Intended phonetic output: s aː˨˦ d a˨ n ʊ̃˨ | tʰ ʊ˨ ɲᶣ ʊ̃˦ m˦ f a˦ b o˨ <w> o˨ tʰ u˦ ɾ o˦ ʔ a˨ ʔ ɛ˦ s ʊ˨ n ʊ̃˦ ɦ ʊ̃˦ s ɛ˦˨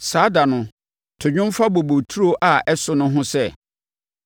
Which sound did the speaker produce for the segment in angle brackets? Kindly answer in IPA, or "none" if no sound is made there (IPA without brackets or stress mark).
b